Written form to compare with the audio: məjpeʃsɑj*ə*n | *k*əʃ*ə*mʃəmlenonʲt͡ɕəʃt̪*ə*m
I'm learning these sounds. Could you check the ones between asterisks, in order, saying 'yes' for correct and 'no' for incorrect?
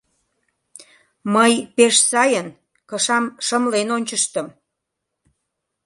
yes, yes, no, yes

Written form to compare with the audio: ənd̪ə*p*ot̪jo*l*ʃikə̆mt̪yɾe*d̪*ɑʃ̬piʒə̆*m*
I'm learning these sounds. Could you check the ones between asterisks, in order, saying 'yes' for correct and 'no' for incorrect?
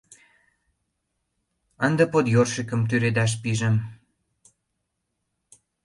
yes, no, yes, yes

